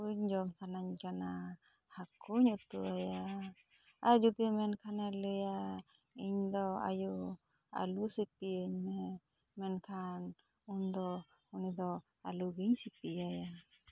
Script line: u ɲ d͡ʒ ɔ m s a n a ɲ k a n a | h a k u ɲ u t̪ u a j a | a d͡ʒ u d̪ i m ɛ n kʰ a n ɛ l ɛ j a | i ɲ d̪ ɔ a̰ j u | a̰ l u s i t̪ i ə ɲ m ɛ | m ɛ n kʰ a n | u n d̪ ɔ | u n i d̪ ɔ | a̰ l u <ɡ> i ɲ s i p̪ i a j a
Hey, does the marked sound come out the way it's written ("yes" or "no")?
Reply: yes